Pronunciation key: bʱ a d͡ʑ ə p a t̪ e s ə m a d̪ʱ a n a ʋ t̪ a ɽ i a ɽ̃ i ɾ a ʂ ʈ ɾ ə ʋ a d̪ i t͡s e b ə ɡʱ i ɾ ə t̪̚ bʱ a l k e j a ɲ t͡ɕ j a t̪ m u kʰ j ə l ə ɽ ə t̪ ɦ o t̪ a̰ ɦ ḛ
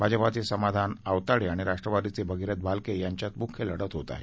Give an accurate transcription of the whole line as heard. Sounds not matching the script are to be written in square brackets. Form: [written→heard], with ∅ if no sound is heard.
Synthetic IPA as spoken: bʱ a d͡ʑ ə p a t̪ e s ə m a d̪ʱ a n a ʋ t̪ a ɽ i a ɽ̃ i ɾ a ʂ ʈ ɾ ə ʋ a d̪ i t͡s e b ə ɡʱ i ɾ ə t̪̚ bʱ a l k e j a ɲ t͡ɕ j a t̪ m u kʰ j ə l ə ɽ ə t̪ ɦ o t̪ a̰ ɦ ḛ

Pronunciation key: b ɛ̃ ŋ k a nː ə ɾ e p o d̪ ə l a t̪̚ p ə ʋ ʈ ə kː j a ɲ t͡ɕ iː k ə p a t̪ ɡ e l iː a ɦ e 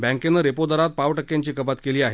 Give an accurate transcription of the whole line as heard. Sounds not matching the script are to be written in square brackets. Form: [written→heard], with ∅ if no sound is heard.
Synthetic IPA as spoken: b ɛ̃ ŋ k [a→e] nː ə ɾ e p o d̪ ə [l→ɾ] a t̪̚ p [ə→a] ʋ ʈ ə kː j a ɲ t͡ɕ iː k ə p a t̪ [ɡ→k] e l iː a ɦ e

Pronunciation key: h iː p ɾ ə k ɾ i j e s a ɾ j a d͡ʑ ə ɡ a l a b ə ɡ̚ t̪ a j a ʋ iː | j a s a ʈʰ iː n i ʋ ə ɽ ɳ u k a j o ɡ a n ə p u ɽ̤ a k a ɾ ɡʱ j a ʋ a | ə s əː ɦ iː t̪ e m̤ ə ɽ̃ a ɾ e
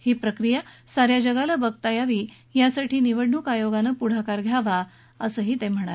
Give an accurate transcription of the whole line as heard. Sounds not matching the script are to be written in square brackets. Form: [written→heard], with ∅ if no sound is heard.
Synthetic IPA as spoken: h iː p ɾ ə k ɾ i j [e→a] s a ɾ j a d͡ʑ ə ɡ a l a b ə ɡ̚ t̪ a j a ʋ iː | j a s a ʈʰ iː n i ʋ ə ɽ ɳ u k a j o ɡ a n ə p u ɽ̤ a k a ɾ ɡʱ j a ʋ a | ə s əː ɦ iː t̪ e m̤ ə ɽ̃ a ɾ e

